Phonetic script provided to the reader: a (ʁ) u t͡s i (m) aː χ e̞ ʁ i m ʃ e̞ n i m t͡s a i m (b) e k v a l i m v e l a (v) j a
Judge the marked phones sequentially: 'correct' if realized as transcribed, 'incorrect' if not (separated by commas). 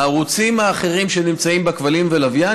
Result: correct, correct, correct, correct